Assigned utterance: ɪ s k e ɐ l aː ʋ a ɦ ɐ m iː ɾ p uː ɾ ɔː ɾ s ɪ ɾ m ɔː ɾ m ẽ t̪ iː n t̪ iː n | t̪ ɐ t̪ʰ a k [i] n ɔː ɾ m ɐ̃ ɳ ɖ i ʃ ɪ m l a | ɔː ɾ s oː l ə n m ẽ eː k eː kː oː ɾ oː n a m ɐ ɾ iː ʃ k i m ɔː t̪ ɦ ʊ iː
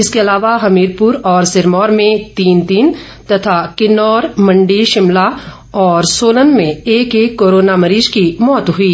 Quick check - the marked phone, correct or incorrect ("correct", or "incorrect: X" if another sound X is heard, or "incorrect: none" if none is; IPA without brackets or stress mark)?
incorrect: ɪ